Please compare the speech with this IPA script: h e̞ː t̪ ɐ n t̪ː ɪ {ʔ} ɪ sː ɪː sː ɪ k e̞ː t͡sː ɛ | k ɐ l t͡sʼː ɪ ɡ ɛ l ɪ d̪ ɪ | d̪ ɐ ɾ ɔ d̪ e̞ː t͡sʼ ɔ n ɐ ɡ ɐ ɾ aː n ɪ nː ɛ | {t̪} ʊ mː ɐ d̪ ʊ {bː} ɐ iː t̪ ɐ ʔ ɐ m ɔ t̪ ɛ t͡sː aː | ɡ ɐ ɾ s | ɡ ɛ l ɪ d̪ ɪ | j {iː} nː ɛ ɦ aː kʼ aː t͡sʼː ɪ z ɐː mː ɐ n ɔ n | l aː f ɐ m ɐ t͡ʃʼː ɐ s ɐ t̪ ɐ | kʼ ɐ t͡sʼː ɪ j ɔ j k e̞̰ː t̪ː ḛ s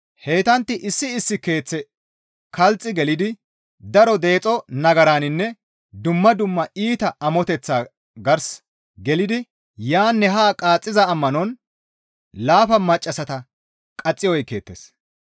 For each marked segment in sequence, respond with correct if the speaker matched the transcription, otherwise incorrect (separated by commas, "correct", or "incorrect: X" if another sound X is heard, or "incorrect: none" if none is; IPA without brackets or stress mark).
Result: correct, incorrect: d̪, incorrect: mː, incorrect: aː